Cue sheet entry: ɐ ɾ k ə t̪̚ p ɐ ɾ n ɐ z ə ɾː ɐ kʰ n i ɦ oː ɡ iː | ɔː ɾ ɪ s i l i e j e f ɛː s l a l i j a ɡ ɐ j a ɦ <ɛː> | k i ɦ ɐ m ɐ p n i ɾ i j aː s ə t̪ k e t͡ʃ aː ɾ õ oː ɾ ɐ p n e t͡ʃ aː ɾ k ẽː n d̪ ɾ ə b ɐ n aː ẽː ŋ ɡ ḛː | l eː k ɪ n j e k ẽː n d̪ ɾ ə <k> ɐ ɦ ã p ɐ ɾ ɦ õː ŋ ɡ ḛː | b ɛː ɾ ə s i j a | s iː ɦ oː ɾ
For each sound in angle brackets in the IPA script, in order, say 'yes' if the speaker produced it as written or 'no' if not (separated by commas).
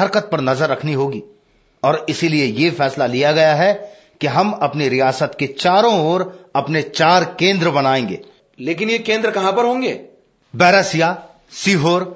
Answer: no, yes